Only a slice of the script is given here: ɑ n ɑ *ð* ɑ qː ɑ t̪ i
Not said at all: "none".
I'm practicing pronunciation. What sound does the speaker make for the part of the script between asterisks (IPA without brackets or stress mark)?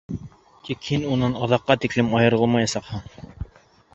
ð